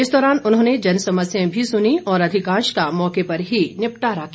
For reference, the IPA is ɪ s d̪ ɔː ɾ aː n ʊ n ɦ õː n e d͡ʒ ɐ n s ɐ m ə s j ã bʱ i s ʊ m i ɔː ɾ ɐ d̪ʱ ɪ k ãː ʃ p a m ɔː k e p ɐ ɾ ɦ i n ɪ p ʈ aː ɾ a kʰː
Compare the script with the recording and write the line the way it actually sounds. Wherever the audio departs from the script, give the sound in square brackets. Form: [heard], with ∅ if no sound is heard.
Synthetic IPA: ɪ s d̪ ɔː ɾ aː n ʊ n ɦ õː n e d͡ʒ ɐ n s ɐ m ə s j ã bʱ i s ʊ [n] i ɔː ɾ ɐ d̪ʱ ɪ k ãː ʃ [k] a m ɔː k e p ɐ ɾ ɦ i n ɪ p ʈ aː ɾ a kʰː